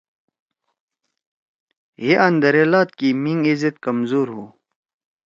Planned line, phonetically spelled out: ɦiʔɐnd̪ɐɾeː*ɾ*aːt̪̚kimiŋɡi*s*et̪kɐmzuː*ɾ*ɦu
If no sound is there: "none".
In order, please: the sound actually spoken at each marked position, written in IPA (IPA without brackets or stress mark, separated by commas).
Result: l, z, ɾ